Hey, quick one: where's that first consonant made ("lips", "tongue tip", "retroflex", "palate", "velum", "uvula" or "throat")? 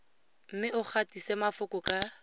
lips